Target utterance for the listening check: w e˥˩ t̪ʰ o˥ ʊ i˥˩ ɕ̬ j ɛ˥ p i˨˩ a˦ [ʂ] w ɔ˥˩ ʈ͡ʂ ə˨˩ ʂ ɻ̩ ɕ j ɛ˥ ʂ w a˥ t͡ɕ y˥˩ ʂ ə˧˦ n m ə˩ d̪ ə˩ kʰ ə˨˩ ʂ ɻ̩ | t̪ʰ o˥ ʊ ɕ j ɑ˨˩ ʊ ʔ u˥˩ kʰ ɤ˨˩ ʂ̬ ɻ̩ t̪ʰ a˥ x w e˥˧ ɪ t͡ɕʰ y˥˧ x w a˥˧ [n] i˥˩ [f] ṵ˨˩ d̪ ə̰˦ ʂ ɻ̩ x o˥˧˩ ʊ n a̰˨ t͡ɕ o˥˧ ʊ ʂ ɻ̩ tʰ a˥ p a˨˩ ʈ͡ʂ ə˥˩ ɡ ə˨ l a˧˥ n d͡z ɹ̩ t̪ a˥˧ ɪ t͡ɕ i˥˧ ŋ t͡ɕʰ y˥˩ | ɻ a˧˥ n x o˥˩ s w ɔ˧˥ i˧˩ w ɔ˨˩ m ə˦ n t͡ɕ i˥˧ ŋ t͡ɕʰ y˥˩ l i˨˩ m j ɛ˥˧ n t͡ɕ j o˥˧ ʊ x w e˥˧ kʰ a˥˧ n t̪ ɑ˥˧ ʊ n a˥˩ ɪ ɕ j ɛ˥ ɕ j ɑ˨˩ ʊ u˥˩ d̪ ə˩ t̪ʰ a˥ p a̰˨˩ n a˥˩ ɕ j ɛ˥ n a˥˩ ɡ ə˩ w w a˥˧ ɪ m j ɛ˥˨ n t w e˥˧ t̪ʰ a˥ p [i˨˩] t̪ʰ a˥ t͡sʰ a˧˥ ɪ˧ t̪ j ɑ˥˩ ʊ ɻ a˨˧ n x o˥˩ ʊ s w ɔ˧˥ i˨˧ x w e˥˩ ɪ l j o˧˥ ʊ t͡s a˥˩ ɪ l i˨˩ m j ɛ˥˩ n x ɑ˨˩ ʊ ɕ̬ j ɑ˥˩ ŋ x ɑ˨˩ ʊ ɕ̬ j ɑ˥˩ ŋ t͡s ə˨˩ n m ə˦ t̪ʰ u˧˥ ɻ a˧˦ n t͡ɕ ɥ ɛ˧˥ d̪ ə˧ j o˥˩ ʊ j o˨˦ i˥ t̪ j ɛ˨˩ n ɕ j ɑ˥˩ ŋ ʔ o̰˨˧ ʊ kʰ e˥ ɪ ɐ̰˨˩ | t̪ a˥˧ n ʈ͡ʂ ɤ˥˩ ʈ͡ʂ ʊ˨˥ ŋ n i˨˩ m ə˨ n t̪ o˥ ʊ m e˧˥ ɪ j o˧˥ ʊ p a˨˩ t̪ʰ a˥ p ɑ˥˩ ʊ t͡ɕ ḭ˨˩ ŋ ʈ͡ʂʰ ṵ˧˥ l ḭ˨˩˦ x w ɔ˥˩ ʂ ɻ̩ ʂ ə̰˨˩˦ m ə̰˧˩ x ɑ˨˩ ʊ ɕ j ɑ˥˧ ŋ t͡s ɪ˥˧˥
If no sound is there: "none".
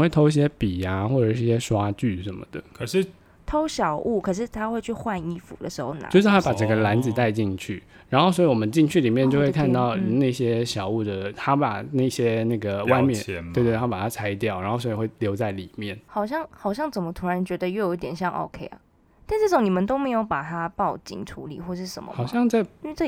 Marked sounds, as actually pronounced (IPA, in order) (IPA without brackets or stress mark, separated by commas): x, n, f, a˨˩